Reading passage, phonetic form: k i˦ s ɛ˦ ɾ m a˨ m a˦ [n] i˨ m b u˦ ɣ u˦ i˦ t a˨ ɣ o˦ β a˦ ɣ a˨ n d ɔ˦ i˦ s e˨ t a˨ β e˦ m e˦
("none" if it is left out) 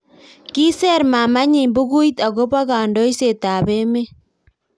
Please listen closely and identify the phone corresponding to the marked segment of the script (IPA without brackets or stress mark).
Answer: ɲ